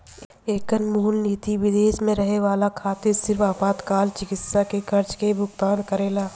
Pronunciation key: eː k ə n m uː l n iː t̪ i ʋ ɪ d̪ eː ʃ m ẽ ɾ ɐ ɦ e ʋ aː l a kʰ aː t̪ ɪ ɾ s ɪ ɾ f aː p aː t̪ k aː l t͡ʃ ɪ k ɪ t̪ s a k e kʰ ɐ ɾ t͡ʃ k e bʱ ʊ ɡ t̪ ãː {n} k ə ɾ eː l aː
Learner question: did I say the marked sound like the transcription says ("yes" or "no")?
yes